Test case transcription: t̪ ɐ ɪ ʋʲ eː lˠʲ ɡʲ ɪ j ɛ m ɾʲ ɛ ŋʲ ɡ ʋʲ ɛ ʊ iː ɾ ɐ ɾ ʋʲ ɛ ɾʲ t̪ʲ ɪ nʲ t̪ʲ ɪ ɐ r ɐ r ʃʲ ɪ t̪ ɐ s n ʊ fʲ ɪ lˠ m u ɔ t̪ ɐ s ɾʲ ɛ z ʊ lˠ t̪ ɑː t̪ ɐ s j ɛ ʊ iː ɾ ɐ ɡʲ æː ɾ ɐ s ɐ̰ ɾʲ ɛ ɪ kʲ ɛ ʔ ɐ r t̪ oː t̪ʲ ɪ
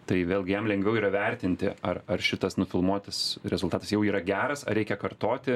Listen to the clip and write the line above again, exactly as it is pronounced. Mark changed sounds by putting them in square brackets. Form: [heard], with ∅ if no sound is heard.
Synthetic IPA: t̪ ɐ ɪ ʋʲ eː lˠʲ ɡʲ ɪ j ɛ m [lʲ] ɛ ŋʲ ɡ ʋʲ ɛ ʊ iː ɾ ɐ [∅] ʋʲ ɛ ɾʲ t̪ʲ ɪ nʲ t̪ʲ ɪ ɐ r ɐ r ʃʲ ɪ t̪ ɐ s n ʊ fʲ ɪ lˠ m u ɔ t̪ ɐ s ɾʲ ɛ z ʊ lˠ t̪ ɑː t̪ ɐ s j ɛ ʊ iː ɾ ɐ ɡʲ æː ɾ ɐ s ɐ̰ ɾʲ ɛ ɪ kʲ ɛ [k] ɐ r t̪ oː t̪ʲ ɪ